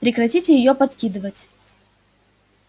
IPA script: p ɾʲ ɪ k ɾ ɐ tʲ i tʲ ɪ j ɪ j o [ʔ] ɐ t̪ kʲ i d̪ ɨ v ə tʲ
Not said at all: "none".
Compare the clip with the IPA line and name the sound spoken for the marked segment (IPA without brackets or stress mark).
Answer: p